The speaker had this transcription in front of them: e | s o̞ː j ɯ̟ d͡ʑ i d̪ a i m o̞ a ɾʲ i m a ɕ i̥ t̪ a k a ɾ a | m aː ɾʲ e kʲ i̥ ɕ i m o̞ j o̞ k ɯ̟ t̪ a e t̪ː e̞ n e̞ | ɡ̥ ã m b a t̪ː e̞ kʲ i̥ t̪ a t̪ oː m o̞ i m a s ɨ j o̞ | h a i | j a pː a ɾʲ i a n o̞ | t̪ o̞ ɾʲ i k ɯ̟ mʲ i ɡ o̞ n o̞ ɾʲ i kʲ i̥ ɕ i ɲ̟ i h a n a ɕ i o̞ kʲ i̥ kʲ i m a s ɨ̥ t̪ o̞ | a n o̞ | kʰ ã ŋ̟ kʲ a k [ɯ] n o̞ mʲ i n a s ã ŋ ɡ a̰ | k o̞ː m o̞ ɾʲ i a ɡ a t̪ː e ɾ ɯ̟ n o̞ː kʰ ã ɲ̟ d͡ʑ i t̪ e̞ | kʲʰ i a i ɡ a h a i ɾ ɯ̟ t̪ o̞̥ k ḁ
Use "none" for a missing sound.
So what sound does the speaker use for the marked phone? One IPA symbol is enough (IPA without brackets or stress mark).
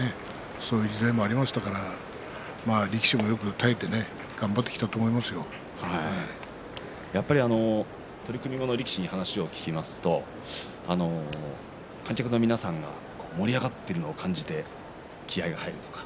ɯ